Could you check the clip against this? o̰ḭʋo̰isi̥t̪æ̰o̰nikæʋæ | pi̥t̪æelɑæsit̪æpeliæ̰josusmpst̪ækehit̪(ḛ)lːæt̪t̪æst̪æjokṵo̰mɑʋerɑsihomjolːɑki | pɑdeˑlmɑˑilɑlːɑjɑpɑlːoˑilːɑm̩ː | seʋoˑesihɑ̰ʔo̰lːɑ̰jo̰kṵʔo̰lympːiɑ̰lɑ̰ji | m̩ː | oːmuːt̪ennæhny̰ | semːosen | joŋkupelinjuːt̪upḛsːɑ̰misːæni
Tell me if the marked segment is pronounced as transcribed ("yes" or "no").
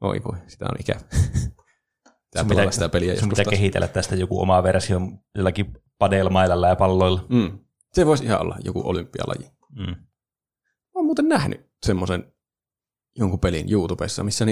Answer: yes